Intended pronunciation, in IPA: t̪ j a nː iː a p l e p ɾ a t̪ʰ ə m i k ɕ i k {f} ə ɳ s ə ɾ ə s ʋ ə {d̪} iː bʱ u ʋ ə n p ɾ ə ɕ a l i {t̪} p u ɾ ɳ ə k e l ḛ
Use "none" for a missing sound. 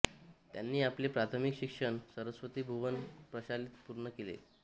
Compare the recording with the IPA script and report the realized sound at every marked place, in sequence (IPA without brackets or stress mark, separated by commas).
ʂ, t̪, t̪